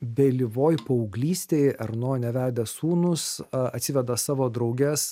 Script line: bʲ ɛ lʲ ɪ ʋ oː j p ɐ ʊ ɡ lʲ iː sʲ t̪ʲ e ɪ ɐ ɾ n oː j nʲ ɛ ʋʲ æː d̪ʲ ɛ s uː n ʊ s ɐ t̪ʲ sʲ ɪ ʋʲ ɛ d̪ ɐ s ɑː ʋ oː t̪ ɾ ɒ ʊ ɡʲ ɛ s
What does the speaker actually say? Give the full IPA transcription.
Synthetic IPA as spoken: bʲ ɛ lʲ ɪ ʋ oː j p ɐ ʊ ɡ lʲ iː sʲ t̪ʲ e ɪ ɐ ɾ n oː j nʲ ɛ ʋʲ æː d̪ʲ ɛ s uː n ʊ s ɐ t̪ʲ sʲ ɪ ʋʲ ɛ d̪ ɐ s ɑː ʋ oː d̪ ɾ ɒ ʊ ɡʲ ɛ s